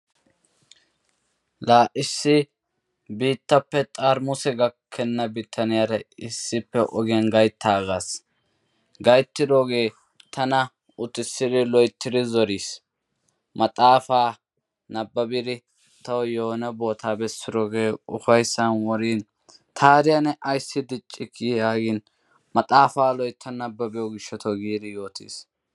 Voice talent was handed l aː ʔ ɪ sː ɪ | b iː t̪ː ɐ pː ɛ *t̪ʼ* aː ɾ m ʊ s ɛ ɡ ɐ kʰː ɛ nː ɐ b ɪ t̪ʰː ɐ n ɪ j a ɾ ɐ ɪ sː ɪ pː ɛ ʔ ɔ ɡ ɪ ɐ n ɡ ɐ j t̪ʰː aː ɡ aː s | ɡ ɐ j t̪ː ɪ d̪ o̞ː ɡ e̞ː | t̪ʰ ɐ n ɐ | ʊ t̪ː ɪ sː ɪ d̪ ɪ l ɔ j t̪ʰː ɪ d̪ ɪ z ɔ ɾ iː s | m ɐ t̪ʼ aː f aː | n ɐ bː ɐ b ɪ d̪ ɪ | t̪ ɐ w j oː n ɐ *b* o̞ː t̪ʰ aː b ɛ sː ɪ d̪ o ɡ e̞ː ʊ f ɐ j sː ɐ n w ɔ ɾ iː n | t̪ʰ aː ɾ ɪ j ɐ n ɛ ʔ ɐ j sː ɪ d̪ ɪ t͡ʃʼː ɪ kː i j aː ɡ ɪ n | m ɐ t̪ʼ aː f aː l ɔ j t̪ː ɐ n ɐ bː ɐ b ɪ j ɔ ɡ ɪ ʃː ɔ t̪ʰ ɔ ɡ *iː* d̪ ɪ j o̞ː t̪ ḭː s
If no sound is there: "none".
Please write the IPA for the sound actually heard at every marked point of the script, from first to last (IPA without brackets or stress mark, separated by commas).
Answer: t̪ʼ, b, iː